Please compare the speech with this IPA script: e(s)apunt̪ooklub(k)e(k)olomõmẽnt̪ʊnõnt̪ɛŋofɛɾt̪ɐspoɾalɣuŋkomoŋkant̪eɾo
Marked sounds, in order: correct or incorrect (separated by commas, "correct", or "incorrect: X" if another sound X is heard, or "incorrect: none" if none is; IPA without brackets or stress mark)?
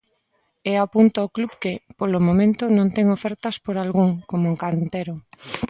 incorrect: none, correct, incorrect: p